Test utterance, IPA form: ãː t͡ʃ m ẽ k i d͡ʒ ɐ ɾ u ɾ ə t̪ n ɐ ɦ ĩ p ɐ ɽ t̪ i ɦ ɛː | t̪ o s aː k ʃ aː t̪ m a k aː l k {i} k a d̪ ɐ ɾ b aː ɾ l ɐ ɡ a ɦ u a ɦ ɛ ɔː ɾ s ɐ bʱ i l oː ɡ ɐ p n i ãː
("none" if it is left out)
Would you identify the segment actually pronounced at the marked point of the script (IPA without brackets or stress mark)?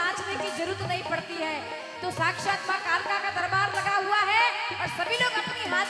a